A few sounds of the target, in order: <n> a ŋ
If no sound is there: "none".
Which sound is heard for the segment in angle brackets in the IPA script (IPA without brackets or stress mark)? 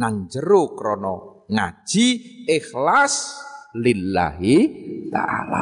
n